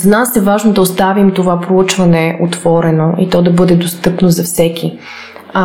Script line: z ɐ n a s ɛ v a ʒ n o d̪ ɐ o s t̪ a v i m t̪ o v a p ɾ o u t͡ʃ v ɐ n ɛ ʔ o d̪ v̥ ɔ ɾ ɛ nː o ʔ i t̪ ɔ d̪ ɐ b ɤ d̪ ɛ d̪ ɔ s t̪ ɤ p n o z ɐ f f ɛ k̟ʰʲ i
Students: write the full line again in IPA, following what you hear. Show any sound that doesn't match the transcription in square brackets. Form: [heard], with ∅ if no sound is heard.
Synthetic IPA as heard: z ɐ n a s ɛ v a ʒ n o d̪ ɐ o s t̪ a v i m t̪ o v a p ɾ o u t͡ʃ v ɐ n ɛ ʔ o [t̪] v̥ ɔ ɾ ɛ [n] o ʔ i t̪ ɔ d̪ ɐ b ɤ d̪ ɛ d̪ [o] s t̪ ɤ p n o z ɐ f [s] ɛ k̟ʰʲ i